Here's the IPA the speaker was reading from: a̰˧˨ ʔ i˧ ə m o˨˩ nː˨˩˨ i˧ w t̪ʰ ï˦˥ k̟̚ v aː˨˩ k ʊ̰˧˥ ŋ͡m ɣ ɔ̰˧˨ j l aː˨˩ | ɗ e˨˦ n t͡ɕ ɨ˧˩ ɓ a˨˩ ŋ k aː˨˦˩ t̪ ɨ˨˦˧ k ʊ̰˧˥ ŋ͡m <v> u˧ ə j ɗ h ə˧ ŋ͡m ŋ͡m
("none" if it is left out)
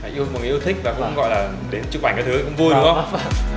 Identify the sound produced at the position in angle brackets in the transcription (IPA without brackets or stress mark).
v